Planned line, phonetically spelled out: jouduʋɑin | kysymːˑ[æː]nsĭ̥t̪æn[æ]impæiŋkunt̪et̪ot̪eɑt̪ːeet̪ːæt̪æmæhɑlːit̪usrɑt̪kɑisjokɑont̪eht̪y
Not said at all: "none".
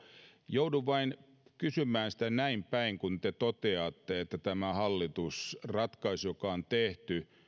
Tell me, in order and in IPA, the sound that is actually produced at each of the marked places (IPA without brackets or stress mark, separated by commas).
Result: æː, æ